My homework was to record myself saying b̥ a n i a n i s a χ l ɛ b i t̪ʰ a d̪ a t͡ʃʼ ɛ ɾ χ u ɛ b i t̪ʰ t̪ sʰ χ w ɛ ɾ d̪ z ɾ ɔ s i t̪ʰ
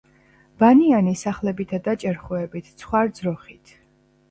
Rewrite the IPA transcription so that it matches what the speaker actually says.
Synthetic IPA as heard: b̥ a n i a n i s a χ l ɛ b i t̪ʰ a d̪ a t͡ʃʼ ɛ ɾ χ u ɛ b i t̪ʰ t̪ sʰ χ w a ɾ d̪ z ɾ ɔ χ i t̪ʰ

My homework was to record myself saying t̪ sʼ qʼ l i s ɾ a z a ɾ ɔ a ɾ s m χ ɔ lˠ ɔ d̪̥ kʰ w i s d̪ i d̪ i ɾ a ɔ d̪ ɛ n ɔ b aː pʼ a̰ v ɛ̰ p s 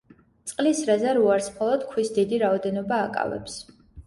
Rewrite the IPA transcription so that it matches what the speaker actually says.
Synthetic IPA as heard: t̪ sʼ qʼ l i s ɾ a z a ɾ u a ɾ s m χ ɔ lˠ ɔ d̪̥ kʰ w i s d̪ i d̪ i ɾ a ɔ d̪ ɛ n ɔ b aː kʼ a̰ v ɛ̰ p s

